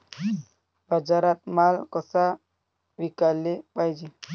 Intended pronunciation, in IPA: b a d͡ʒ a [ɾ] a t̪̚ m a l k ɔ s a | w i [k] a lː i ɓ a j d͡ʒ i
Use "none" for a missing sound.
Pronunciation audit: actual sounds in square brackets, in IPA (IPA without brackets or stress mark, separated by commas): ɾ, k